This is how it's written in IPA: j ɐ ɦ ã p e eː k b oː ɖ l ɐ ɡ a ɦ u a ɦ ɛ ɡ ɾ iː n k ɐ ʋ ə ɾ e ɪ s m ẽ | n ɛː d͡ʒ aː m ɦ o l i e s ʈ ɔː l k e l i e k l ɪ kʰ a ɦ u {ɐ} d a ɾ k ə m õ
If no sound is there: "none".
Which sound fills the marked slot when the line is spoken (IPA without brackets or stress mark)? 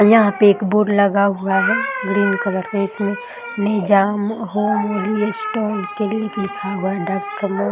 a